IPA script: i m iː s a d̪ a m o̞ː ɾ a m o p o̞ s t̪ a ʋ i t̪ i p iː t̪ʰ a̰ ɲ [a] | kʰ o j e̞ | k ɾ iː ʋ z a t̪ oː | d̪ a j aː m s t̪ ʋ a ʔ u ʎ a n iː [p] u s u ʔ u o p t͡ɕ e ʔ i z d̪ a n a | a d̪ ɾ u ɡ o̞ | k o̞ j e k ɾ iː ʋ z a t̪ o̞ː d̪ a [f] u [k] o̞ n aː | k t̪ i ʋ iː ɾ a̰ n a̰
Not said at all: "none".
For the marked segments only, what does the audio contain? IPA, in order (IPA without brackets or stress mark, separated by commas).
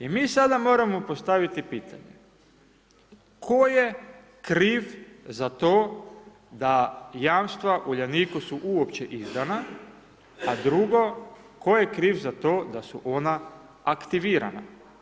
e, k, s, ʔ